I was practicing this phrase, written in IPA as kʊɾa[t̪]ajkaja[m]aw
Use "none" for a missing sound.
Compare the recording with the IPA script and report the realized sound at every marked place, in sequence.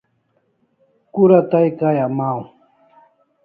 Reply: t̪, m

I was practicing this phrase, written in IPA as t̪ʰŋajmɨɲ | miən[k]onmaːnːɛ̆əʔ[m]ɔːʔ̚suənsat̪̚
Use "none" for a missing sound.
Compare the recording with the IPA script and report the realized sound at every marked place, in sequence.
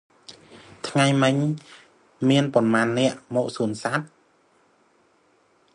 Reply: p, m

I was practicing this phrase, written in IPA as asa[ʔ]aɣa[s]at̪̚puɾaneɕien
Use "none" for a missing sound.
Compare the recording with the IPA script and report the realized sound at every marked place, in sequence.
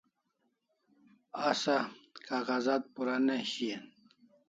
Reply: k, z

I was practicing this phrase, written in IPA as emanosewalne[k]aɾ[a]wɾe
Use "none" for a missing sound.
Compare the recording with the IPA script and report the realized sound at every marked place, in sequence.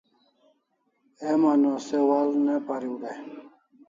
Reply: p, i

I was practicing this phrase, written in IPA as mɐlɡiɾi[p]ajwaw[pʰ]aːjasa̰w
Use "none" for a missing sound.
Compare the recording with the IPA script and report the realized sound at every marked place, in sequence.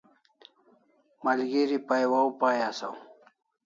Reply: p, p

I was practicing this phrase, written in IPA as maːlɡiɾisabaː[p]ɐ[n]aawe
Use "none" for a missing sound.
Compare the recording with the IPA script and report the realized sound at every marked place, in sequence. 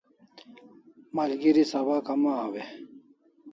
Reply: k, m

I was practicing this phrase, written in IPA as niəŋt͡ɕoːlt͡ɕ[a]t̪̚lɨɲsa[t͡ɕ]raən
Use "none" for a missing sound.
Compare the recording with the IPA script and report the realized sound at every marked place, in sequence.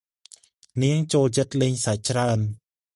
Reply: ə, t͡ɕ

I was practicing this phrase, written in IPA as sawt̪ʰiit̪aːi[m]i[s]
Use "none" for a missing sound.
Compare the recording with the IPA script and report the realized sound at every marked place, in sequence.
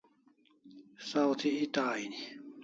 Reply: n, none

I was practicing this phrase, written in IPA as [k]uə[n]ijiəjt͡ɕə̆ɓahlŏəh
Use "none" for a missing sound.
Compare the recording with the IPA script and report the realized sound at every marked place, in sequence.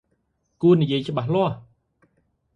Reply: k, n

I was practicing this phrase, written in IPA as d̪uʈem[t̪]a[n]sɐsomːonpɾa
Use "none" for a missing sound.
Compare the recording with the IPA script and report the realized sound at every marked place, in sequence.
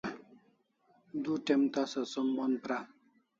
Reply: t̪, none

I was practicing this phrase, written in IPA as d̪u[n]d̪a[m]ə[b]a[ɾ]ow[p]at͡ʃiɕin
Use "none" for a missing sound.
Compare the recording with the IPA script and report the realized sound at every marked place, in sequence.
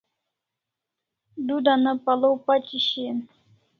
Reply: none, n, p, l, p

